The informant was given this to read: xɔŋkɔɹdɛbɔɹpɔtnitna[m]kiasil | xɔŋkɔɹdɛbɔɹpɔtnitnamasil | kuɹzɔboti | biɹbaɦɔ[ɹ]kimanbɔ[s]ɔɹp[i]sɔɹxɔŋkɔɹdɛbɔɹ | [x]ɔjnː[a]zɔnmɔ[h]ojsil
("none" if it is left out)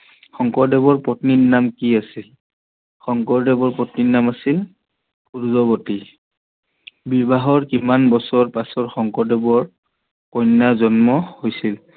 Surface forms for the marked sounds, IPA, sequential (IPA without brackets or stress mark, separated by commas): m, ɹ, s, a, k, a, h